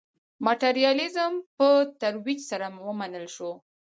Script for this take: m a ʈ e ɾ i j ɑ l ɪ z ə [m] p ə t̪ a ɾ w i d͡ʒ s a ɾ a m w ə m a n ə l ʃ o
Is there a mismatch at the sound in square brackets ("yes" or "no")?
no